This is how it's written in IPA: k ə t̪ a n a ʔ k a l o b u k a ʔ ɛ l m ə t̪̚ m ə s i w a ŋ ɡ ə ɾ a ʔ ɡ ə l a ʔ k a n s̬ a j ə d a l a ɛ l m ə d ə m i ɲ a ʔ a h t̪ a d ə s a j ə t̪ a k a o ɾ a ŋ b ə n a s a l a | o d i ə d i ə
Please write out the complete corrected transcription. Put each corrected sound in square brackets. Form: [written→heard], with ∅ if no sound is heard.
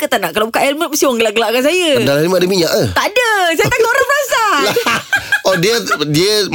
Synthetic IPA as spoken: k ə t̪ a n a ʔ k a l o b u k a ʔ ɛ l m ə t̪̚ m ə s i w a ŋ ɡ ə [ɾ→l] a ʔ ɡ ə l a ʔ k a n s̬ a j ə d a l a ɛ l m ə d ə m i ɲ a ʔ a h t̪ a d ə s a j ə t̪ a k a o ɾ a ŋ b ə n a s a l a | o d i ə d i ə